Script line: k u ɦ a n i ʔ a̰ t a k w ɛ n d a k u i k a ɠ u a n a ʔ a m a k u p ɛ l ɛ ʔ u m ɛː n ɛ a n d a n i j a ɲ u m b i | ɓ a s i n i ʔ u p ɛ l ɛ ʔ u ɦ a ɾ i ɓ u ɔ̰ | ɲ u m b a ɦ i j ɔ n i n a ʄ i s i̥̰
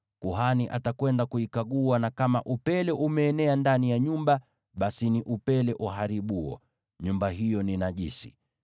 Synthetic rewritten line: k u ɦ a n i ʔ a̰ t a k w ɛ n d a k u i k a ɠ u a n a k a m a ʔ u p ɛ l ɛ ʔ u m ɛː n ɛ a n d a n i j a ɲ u m b a | ɓ a s i n i ʔ u p ɛ l ɛ ʔ u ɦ a ɾ i ɓ u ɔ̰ | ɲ u m b a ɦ i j ɔ n i n a ʄ i s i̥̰